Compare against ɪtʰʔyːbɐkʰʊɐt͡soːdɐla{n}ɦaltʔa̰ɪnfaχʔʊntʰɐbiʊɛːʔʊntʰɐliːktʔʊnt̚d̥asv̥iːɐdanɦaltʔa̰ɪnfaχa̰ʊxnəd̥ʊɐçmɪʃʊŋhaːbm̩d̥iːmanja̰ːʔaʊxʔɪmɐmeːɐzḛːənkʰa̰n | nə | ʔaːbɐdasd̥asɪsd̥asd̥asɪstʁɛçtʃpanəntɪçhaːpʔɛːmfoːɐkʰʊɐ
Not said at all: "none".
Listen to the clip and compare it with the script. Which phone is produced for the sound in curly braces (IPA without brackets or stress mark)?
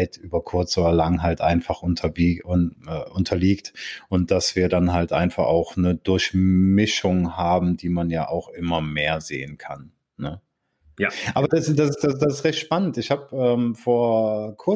ŋ